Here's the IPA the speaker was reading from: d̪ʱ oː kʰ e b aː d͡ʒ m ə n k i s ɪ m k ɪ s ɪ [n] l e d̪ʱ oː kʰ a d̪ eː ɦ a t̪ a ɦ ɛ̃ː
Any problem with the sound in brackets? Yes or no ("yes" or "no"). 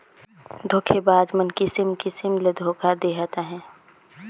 yes